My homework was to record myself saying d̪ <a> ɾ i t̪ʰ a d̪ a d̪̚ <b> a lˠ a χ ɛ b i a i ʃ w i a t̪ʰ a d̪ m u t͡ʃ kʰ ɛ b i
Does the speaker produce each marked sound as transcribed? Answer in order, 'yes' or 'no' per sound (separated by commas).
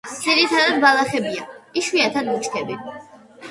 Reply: no, yes